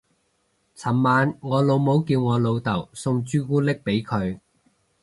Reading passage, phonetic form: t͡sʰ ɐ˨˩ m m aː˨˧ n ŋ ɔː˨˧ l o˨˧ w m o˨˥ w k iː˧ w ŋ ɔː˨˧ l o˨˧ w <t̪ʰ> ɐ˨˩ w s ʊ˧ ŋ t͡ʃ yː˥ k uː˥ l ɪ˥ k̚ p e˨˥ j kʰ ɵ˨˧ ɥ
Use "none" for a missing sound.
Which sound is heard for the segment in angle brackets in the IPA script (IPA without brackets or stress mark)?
t̪